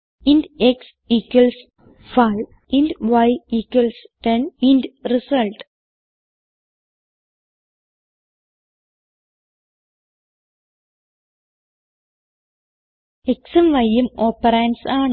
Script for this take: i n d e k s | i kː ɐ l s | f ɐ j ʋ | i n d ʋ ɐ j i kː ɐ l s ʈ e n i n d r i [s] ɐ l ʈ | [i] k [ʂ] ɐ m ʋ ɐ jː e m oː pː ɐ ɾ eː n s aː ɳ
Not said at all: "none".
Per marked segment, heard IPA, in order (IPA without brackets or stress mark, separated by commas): s, e, s